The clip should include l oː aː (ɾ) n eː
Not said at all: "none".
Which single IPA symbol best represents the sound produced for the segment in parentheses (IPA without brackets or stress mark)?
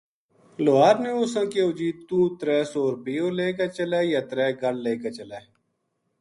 ɾ